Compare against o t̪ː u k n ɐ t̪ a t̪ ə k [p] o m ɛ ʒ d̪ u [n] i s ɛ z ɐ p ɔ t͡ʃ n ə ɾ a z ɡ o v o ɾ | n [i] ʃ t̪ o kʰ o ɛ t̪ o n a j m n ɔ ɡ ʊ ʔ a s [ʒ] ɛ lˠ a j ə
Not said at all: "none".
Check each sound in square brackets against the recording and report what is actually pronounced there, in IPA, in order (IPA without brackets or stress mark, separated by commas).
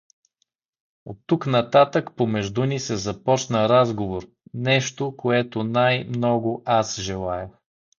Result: p, n, ɛ, ʒ